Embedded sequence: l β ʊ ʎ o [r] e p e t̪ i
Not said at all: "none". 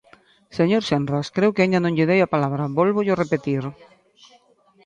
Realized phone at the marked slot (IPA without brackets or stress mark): r